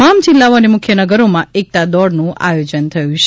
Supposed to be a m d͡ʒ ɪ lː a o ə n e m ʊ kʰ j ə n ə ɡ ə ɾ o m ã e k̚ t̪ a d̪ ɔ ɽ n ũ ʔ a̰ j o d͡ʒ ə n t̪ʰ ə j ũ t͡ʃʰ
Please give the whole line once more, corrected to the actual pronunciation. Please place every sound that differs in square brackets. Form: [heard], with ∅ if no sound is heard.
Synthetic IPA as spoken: a m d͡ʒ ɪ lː a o ə n e m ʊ kʰ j ə n ə ɡ ə ɾ o m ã e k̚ t̪ a d̪ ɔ ɽ n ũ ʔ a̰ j o d͡ʒ ə n t̪ʰ ə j ũ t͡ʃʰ